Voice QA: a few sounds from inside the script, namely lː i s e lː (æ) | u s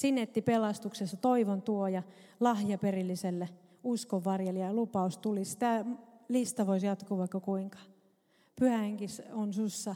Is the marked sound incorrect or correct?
incorrect